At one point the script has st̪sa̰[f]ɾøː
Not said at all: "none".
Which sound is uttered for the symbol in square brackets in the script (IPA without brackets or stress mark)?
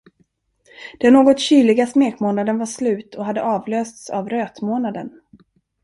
v